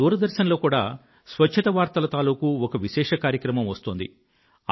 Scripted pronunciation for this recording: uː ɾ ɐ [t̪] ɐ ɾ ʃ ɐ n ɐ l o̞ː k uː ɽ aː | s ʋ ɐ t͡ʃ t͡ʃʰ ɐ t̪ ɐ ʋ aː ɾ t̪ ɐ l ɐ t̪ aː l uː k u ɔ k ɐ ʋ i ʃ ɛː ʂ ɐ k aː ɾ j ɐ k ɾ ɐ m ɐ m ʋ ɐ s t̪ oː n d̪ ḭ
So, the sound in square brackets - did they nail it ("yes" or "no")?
no